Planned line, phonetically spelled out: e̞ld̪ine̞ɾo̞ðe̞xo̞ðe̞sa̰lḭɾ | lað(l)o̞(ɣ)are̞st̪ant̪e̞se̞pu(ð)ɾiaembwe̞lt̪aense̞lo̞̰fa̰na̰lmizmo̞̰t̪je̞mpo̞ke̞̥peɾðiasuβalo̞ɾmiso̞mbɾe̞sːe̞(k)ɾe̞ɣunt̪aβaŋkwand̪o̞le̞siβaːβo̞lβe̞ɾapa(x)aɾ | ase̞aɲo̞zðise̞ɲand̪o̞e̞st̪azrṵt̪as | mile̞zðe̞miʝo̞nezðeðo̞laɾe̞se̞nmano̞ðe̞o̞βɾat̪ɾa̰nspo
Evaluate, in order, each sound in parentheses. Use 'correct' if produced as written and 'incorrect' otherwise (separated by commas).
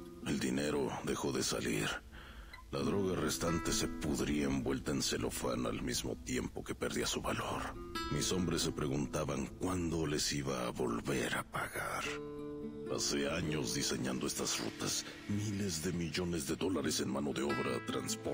incorrect, correct, correct, incorrect, incorrect